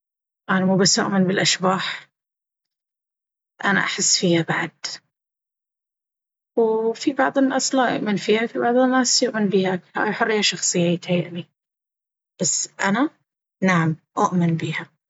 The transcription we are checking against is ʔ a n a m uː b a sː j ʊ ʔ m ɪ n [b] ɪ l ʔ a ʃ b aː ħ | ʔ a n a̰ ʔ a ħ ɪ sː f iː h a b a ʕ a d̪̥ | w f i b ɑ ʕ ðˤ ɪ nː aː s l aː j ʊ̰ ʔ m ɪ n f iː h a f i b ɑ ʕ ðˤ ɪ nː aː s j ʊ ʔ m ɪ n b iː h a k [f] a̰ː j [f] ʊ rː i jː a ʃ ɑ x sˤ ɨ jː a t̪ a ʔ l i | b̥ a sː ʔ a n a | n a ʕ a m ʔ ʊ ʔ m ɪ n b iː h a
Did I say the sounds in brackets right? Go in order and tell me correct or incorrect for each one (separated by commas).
correct, incorrect, incorrect